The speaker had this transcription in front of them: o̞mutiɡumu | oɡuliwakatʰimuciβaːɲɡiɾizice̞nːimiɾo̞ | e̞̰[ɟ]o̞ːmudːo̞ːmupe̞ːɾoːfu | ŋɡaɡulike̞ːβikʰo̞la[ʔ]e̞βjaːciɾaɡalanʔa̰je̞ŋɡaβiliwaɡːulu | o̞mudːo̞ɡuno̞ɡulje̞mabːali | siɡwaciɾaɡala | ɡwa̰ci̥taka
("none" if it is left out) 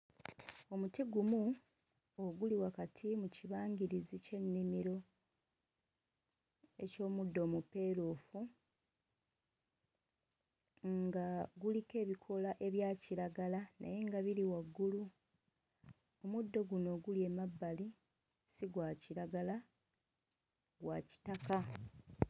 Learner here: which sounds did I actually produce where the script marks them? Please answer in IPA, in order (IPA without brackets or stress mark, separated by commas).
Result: c, ʔ